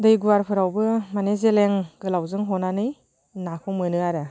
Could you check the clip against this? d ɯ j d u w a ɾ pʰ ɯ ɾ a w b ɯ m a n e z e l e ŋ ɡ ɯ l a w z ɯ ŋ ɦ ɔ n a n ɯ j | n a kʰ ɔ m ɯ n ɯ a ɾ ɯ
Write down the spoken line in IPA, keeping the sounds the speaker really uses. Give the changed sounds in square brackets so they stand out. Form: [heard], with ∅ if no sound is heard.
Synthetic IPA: d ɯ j [ɡ] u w a ɾ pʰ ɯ ɾ a w b ɯ m a n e z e l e ŋ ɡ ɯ l a w z ɯ ŋ ɦ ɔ n a n ɯ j | n a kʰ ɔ m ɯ n ɯ a ɾ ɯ